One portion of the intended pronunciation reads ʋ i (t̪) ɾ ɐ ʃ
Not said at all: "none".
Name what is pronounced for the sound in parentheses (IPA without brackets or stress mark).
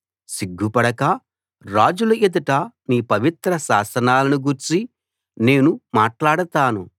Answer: t̪